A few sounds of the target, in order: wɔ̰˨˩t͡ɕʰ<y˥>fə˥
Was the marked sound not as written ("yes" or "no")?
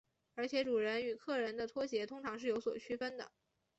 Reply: no